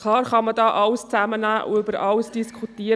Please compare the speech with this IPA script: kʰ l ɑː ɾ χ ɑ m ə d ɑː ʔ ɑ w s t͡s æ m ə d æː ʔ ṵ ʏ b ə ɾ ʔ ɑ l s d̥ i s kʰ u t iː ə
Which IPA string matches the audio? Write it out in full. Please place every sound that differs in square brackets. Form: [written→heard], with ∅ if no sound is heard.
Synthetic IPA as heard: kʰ l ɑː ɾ χ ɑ m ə d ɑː ʔ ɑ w s t͡s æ m ə [d→n] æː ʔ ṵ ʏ b ə ɾ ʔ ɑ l s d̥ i s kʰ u t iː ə